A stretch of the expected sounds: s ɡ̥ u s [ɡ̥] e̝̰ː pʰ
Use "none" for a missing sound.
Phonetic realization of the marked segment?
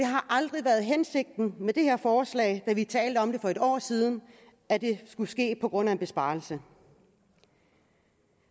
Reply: ɡ̥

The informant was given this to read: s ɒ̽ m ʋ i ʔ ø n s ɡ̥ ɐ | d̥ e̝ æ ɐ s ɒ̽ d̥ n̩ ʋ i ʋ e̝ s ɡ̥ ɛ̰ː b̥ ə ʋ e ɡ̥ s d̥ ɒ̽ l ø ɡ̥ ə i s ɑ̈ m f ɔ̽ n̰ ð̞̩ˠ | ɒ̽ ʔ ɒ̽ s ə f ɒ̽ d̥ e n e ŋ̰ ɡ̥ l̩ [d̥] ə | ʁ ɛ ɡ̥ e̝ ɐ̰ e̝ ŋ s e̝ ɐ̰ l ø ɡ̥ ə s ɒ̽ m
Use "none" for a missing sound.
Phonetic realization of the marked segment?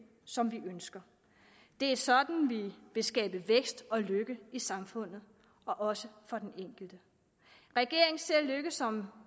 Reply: d̥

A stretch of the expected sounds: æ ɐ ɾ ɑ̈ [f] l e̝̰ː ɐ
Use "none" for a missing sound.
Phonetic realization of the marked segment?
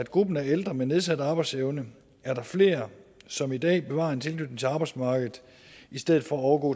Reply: f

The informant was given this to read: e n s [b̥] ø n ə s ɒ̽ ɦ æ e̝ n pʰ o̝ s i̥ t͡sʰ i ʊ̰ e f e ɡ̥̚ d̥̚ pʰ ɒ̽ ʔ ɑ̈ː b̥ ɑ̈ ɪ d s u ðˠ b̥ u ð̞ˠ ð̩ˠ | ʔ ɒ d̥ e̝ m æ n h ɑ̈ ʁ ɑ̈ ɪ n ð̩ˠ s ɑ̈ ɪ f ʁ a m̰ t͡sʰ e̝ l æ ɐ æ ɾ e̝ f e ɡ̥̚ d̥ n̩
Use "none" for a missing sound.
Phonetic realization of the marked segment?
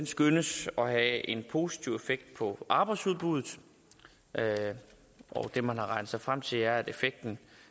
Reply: ɡ̥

